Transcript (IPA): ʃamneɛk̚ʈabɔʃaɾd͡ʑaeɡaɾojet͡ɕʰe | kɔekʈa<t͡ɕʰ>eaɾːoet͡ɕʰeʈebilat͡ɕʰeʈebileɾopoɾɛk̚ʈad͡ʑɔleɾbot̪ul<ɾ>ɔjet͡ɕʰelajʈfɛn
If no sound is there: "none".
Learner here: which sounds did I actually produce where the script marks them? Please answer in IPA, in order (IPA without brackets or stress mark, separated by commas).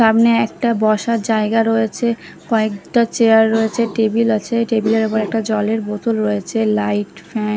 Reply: t͡ɕ, ɾ